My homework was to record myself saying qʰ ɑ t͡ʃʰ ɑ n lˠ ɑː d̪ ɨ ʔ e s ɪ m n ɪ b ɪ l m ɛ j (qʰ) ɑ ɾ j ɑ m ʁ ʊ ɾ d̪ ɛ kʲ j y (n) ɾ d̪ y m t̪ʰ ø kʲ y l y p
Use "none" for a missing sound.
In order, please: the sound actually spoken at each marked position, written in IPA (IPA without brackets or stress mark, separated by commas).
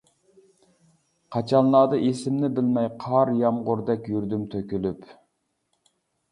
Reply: qʰ, none